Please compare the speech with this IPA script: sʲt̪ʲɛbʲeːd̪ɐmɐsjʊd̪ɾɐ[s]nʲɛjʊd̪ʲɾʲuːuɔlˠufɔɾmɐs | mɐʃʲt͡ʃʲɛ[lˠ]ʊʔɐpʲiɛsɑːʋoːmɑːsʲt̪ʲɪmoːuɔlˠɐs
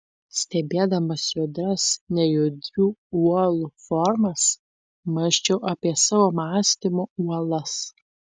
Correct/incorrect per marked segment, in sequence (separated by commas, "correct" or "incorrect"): correct, incorrect